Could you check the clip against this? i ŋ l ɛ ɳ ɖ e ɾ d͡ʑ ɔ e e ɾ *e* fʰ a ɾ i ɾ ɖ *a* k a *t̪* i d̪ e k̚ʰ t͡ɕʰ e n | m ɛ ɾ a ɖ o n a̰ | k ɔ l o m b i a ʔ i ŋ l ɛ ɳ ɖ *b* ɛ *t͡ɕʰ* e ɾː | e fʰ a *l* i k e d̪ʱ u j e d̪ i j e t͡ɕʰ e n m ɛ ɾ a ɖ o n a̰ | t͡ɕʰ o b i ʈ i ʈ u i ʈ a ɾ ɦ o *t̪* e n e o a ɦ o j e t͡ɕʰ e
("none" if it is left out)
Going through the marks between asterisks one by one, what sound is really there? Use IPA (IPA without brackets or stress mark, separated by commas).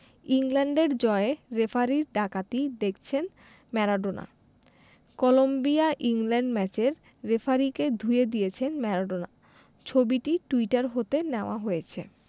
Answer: e, a, t̪, m, t͡ɕ, ɾ, t̪